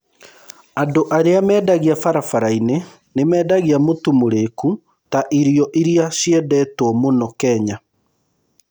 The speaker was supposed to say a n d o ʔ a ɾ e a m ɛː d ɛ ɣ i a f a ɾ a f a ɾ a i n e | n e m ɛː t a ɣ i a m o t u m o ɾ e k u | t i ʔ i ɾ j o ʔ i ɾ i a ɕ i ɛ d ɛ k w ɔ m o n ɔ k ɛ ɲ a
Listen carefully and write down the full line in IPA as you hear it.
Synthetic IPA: a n d o ʔ a ɾ e a m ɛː d a ɣ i a f a ɾ a f a ɾ a i n e | n e m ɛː d a ɣ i a m o t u m o ɾ e k u | t a ʔ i ɾ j ɔ ʔ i ɾ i a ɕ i ɛ d ɛ t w ɔ m o n ɔ k ɛ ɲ a